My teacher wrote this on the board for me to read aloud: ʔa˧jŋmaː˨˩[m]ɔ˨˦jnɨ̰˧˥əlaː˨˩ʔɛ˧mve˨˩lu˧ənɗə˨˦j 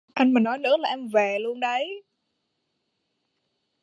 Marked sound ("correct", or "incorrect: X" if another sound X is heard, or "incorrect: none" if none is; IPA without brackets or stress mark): incorrect: n